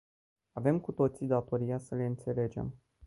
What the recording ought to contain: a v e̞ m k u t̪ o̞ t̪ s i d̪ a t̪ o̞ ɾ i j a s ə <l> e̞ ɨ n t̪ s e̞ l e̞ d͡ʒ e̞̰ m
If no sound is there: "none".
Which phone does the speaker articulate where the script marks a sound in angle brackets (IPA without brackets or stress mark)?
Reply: l